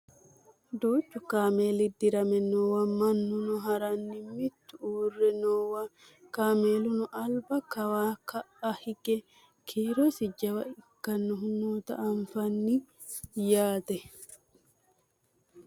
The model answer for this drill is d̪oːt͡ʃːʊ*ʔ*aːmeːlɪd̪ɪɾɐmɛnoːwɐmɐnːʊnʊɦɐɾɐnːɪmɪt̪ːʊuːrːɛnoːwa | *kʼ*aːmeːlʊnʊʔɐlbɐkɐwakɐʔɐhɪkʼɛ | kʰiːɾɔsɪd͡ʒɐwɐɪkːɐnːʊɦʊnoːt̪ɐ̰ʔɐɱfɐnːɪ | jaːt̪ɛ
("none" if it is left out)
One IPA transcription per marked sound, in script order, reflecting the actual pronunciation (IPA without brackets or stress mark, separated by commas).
k, k